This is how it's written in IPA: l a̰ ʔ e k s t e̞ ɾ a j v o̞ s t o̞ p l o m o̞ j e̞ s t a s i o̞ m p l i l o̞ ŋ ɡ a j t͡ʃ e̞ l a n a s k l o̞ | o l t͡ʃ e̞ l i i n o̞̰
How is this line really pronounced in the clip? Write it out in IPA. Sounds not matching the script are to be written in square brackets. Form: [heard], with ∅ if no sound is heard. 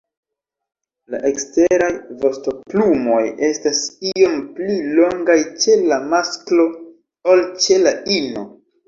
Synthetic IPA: l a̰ ʔ e k s t e̞ ɾ a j v o̞ s t o̞ p l [u] m o̞ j e̞ s t a s i o̞ m p l i l o̞ ŋ ɡ a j t͡ʃ e̞ l a [m] a s k l o̞ | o l t͡ʃ e̞ l [a] i n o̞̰